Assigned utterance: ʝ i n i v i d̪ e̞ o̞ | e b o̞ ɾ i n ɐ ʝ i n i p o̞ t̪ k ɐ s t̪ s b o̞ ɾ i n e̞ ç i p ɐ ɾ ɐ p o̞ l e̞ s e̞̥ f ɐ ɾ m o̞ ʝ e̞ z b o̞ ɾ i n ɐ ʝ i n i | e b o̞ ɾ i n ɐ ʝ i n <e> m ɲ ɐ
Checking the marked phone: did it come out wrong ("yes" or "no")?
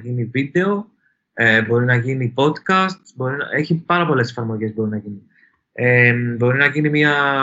yes